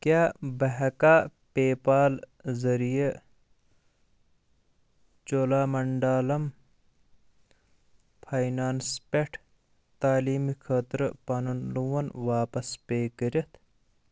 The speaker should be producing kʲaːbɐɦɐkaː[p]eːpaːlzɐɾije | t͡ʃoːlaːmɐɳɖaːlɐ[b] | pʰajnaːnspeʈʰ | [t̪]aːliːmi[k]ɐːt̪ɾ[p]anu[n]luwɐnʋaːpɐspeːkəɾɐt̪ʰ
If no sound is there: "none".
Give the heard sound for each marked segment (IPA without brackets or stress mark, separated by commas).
p, m, t̪, kʰ, p, n